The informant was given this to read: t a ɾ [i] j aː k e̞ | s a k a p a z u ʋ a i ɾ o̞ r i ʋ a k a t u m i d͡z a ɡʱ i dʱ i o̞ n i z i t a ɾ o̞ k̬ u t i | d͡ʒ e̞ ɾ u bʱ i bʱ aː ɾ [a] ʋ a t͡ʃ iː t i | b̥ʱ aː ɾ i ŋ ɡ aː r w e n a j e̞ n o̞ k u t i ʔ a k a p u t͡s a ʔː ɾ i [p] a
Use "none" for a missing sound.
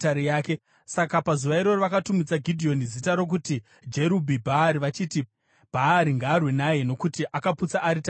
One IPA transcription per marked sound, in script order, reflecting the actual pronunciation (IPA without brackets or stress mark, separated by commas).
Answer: i, i, t